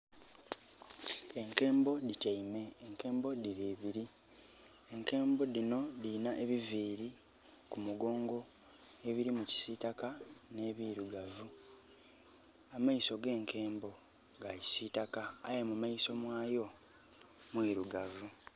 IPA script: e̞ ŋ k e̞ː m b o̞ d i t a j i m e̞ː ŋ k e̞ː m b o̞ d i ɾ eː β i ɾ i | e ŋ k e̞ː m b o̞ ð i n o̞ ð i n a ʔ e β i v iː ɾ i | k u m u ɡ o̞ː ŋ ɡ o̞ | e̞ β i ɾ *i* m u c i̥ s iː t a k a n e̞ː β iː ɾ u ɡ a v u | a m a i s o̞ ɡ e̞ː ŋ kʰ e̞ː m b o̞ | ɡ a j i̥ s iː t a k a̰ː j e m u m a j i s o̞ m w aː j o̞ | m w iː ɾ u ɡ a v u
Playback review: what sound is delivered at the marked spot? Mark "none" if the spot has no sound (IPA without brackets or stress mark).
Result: i